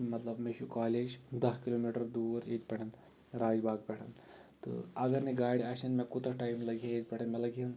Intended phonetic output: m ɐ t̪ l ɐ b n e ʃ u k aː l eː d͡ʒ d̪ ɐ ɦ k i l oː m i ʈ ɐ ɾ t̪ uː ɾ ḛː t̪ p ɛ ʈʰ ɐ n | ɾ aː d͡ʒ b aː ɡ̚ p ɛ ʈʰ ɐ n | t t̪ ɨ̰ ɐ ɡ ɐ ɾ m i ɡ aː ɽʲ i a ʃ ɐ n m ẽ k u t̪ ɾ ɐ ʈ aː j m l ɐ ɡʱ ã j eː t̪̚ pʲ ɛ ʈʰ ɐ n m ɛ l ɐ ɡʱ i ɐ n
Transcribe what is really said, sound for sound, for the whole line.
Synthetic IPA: m ɐ t̪ l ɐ b m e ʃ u k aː l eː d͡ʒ d̪ ɐ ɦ k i l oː m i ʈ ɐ ɾ d̪ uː ɾ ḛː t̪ p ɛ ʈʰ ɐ n | ɾ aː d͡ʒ b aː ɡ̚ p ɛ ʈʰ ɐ n | t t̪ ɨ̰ ɐ ɡ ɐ ɾ n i ɡ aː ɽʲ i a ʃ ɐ n m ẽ k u t̪ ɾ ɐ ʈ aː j m l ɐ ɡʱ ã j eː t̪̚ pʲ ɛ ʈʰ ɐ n m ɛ l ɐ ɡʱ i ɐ n